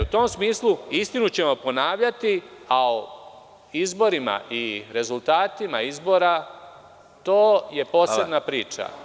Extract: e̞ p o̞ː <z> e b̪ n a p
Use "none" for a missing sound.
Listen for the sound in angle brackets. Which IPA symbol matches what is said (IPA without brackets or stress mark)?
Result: s